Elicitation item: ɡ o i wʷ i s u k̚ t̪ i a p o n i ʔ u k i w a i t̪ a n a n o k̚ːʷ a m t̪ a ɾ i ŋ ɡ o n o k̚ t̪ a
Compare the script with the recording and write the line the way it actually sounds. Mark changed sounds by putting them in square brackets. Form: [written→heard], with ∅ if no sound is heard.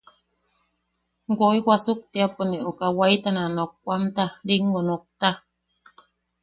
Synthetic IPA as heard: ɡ o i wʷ [i→a] s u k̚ t̪ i a p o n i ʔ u k [i→a] w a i t̪ a n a n o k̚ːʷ a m t̪ a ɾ i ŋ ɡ o n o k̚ t̪ a